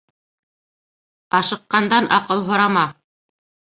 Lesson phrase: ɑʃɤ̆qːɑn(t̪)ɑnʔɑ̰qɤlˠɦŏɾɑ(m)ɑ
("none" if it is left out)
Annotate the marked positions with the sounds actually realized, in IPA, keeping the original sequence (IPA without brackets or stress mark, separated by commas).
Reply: d̪, m